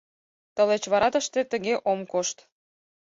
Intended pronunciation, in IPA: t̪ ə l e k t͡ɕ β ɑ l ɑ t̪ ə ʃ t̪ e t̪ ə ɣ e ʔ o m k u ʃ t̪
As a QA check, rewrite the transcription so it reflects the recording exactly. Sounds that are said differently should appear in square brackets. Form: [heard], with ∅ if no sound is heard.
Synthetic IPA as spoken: t̪ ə l e [∅] t͡ɕ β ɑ [ɾ] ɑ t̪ ə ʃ t̪ e t̪ ə ɣ e ʔ o m k [o] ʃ t̪